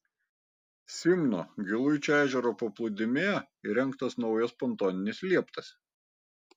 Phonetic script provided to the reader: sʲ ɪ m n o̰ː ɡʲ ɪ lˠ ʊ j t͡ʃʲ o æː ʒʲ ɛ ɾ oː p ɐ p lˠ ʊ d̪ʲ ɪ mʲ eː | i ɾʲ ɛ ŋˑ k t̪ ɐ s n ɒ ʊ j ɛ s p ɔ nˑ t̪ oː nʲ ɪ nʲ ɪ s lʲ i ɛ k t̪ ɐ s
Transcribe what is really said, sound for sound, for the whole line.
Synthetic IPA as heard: sʲ ɪ m n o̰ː ɡʲ ɪ lˠ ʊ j t͡ʃʲ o æː ʒʲ ɛ ɾ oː p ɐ p lˠ ʊ d̪ʲ ɪ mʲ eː | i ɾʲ ɛ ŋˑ k t̪ ɐ s n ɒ ʊ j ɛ s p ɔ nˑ t̪ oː nʲ ɪ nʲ ɪ s lʲ i ɛ p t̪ ɐ s